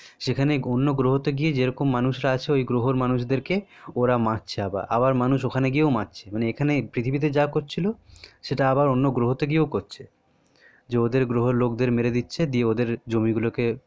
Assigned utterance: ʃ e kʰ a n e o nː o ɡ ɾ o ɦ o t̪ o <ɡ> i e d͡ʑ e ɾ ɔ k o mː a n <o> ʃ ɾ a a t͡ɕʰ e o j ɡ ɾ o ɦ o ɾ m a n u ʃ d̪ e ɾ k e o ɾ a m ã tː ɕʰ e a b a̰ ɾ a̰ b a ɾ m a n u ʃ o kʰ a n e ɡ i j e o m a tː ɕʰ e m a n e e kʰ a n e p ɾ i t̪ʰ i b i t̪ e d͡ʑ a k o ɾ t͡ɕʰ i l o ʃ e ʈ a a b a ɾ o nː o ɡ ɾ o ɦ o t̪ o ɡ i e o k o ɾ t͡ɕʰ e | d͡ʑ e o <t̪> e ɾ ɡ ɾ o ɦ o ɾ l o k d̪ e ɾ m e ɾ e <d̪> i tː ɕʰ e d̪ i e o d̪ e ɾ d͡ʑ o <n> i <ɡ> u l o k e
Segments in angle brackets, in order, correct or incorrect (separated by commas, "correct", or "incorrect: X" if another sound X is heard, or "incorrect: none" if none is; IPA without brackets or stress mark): correct, incorrect: u, incorrect: d̪, correct, incorrect: m, correct